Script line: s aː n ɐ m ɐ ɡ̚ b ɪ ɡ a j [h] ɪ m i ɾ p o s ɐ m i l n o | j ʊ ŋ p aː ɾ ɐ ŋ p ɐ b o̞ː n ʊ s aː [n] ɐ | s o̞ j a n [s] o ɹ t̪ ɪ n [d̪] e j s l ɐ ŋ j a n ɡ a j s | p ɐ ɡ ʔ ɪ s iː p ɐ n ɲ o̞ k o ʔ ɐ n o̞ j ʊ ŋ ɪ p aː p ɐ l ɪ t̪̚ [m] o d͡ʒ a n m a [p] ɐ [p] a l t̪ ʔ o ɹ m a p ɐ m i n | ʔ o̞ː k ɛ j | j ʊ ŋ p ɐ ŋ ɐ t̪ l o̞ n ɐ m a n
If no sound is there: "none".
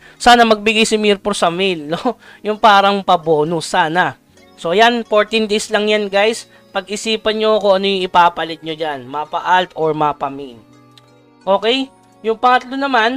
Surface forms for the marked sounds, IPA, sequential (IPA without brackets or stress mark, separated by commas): s, n, f, d̪, ɲ, p, ʔ